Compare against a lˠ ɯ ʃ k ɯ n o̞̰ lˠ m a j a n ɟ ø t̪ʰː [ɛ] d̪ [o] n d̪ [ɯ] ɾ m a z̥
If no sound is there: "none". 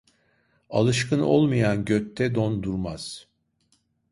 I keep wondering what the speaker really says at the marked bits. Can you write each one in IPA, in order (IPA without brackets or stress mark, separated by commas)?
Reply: ɛ, o, u